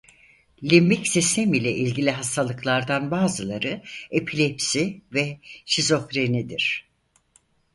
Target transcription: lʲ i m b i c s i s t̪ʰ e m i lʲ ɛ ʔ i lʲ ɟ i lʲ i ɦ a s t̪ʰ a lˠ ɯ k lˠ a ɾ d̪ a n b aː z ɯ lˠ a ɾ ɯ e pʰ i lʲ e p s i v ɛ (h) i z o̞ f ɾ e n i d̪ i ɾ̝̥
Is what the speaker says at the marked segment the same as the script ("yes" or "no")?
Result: no